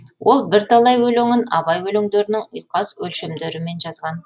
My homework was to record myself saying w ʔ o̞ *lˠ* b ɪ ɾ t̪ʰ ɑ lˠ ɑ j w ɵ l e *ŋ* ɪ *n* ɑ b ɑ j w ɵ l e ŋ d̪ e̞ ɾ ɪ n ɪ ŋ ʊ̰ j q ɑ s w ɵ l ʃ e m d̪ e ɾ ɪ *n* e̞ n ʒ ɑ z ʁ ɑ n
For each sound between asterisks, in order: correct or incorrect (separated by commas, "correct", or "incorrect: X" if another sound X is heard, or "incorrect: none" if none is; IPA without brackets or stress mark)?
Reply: correct, correct, correct, incorrect: m